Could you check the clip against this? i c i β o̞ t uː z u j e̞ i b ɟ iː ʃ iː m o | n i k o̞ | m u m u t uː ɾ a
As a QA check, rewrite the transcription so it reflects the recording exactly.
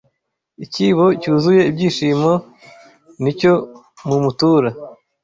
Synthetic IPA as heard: i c i β o̞ c uː z u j e̞ i b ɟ iː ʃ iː m o | n i c o̞ | m u m u t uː ɾ a